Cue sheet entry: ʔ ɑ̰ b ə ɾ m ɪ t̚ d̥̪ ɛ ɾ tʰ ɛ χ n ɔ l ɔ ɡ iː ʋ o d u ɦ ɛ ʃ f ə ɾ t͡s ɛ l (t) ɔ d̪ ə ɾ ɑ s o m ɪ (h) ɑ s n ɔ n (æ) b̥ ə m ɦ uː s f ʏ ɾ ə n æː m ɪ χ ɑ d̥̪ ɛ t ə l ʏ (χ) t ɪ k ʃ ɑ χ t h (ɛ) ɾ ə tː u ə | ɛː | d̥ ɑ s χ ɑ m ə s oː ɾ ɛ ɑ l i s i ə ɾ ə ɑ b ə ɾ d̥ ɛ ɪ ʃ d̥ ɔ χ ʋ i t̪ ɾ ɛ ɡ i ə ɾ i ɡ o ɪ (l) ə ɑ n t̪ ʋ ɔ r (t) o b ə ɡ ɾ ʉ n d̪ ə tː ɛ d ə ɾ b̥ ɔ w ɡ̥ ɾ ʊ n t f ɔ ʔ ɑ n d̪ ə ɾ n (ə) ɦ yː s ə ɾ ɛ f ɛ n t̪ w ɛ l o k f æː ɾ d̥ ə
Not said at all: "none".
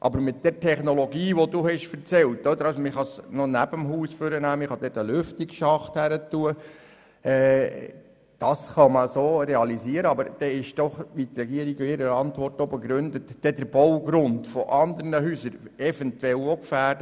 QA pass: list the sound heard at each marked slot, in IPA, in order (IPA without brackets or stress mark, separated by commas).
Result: t, χ, æ, f, æ, ɾ, t, ə